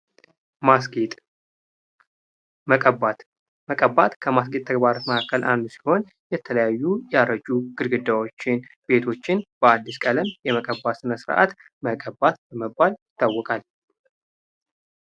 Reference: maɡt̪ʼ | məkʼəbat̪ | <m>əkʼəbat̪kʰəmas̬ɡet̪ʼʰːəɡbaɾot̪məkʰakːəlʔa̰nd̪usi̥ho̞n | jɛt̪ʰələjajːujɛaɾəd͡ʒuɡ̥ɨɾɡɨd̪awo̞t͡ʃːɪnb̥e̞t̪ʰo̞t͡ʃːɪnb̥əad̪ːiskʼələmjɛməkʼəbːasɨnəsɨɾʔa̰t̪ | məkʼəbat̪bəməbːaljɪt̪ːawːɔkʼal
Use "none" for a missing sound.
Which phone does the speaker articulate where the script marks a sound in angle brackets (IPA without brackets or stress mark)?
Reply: m